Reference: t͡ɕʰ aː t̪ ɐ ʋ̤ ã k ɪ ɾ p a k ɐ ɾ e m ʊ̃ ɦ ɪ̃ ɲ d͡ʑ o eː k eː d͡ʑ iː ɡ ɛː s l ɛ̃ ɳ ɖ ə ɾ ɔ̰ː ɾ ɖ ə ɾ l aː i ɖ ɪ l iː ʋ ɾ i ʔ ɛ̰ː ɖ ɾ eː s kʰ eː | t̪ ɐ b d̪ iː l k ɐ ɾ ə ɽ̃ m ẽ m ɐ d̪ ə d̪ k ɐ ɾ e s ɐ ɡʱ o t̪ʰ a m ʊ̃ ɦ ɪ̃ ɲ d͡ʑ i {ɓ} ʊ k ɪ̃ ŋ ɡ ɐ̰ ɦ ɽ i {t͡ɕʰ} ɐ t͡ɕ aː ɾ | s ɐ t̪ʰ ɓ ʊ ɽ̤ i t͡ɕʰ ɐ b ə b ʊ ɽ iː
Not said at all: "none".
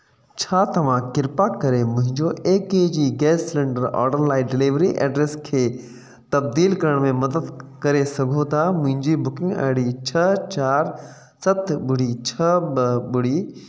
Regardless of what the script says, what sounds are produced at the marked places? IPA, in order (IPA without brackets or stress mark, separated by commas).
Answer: b, t͡ɕʰ